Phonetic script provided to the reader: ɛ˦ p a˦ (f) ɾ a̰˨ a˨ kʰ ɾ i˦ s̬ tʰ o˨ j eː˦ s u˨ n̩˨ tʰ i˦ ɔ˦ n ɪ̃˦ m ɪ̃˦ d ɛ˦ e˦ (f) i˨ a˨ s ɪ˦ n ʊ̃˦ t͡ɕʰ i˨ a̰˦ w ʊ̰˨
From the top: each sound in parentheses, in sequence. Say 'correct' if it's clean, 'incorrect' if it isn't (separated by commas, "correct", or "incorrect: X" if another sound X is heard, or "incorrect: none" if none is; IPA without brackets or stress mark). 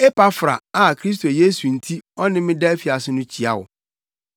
correct, correct